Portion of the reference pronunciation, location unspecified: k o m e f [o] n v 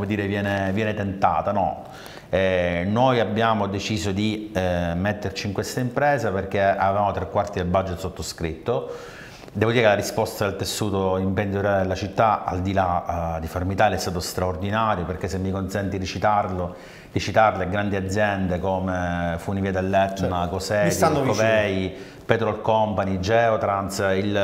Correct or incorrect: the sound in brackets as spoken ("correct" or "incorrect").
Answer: incorrect